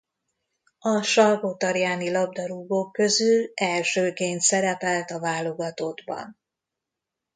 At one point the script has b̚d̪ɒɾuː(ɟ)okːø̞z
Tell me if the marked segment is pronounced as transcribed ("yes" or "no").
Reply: no